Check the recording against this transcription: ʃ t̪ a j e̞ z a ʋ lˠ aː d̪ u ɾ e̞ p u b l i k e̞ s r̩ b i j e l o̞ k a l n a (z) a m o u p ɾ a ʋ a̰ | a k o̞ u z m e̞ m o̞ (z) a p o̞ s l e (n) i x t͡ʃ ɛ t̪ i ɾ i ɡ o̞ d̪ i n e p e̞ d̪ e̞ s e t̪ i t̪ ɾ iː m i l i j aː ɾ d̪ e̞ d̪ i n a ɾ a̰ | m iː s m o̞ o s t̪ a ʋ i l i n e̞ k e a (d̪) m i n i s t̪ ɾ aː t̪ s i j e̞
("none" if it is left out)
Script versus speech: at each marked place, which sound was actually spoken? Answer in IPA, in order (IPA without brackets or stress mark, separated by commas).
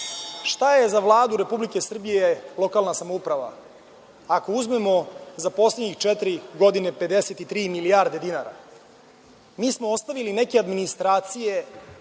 s, z, ɲ, d̪